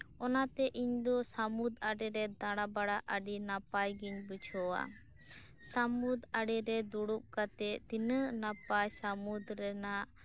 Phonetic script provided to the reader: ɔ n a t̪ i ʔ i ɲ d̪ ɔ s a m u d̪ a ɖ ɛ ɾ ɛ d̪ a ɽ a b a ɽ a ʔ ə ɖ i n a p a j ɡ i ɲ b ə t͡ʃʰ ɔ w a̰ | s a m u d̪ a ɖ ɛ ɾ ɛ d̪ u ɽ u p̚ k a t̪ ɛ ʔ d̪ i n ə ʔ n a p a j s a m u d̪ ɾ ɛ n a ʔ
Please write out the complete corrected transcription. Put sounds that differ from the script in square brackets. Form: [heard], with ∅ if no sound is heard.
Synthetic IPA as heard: ɔ n a t̪ [ɛ] ʔ i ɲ d̪ ɔ s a m u d̪ a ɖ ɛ ɾ ɛ d̪ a ɽ a b a ɽ a ʔ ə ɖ i n a p a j ɡ i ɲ b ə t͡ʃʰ ɔ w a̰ | s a m u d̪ a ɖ ɛ ɾ ɛ d̪ u ɽ u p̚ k a t̪ ɛ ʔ [t̪] i n ə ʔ n a p a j s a m u d̪ ɾ ɛ n a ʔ